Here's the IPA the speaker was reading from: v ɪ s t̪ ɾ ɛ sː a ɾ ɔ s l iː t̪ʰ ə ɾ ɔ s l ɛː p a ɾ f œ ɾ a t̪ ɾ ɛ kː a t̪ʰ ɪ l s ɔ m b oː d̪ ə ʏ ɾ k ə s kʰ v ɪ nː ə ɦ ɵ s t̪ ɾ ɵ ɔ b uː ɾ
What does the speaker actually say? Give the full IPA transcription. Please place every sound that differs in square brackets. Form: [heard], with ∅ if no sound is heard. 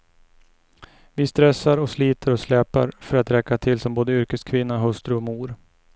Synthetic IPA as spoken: v ɪ s t̪ ɾ ɛ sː a ɾ ɔ s l iː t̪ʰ ə ɾ ɔ s l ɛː p a ɾ f œ ɾ a t̪ ɾ ɛ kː a t̪ʰ ɪ l s ɔ m b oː d̪ ə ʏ ɾ k ə s kʰ v ɪ nː [a] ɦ ɵ s t̪ ɾ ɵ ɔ [m] uː ɾ